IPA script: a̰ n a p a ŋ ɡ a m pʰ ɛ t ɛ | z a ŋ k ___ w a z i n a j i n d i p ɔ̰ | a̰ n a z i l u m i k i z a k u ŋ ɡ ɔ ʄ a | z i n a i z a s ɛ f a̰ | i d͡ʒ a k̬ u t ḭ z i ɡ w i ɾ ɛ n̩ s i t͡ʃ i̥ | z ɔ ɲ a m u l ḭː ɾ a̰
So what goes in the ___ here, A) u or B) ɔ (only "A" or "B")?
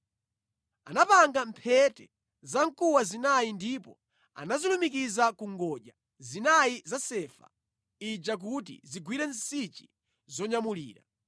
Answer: A